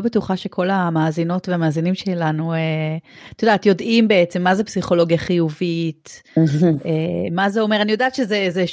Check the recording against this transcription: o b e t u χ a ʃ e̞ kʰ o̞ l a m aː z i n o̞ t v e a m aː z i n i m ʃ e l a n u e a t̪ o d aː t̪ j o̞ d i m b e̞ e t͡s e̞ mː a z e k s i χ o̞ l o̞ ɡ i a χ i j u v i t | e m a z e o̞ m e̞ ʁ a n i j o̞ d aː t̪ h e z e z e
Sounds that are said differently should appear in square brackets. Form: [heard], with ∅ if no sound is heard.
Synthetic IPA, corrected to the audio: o b e t u χ a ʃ e̞ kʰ o̞ l a m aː z i n o̞ t v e a m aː z i n i m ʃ e l a n u e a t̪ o d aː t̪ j o̞ d i m b e̞ e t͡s e̞ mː a z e [p] s i χ o̞ l o̞ ɡ [j] a χ i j u v i t | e m a z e o̞ m e̞ ʁ a n i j o̞ d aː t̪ [ʃ] e z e z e